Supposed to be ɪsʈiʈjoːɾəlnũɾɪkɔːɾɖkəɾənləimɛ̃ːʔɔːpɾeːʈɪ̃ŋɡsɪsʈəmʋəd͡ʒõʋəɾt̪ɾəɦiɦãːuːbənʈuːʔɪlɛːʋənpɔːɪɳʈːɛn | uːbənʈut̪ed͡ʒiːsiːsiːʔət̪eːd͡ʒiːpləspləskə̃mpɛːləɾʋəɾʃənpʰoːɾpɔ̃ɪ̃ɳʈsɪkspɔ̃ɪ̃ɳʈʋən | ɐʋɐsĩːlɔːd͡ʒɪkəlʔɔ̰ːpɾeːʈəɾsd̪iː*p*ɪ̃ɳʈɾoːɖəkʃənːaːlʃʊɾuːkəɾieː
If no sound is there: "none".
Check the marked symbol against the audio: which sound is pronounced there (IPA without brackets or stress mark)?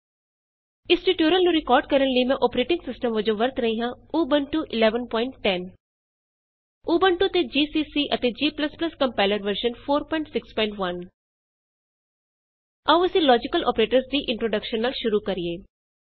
ʔ